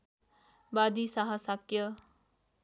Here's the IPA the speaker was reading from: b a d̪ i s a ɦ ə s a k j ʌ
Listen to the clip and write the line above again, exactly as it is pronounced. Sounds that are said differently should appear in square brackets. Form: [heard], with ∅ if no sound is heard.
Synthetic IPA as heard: b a d̪ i s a ɦ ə s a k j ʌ